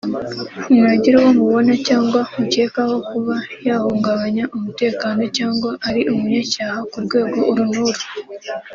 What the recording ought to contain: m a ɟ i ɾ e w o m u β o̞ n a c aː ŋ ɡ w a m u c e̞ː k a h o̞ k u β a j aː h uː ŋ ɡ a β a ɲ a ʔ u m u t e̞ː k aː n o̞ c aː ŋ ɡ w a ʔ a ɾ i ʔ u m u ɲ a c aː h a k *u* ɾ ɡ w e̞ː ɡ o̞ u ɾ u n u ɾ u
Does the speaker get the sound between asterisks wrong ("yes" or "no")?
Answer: no